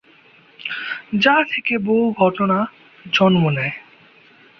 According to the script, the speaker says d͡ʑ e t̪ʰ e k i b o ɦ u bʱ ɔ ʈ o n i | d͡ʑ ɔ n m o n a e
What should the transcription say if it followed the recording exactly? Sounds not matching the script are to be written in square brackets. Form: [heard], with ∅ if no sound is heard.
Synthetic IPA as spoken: d͡ʑ [a] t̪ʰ e k [e] b o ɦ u [ɡʱ] ɔ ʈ o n [a] | d͡ʑ ɔ n m o n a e